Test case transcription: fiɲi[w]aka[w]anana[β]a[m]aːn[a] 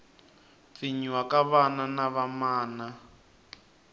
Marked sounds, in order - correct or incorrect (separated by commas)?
correct, incorrect, correct, correct, correct